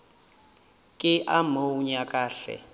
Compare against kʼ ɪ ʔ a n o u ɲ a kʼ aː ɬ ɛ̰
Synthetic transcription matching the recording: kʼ ɪ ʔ a m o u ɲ a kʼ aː ɬ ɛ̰